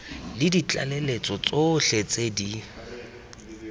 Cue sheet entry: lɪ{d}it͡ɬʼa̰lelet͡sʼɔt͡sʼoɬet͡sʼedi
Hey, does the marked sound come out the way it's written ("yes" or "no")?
yes